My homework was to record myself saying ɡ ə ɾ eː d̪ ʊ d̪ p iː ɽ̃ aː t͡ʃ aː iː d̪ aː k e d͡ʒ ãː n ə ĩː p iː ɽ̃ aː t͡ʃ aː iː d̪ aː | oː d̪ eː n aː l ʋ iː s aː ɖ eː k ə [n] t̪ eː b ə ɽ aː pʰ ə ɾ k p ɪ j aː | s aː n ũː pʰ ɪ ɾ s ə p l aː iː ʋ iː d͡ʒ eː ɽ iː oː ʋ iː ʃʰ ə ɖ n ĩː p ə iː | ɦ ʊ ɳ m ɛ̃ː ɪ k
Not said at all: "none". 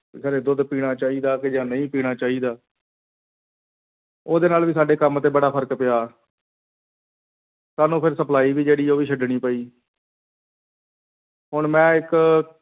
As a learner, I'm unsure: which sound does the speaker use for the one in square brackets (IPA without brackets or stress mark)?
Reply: m